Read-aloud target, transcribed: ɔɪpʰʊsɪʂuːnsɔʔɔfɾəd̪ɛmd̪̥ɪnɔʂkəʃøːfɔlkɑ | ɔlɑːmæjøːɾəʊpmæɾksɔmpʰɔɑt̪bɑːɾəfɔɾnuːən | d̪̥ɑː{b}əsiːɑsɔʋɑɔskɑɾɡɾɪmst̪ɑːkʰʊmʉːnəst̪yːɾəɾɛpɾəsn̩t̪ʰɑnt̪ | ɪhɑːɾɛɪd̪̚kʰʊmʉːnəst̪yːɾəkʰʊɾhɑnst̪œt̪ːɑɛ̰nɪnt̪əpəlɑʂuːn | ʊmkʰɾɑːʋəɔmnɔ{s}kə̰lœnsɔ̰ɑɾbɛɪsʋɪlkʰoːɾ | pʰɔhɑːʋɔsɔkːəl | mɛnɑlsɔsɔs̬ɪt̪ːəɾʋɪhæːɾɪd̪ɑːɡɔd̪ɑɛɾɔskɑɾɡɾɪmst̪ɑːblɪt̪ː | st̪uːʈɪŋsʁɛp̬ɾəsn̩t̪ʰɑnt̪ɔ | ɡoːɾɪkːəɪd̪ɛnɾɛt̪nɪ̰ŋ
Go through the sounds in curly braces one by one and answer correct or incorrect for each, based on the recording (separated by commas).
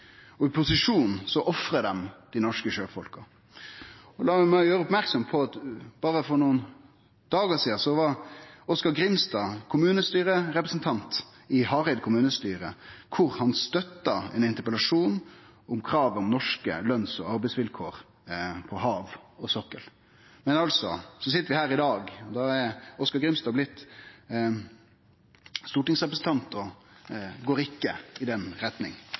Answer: incorrect, incorrect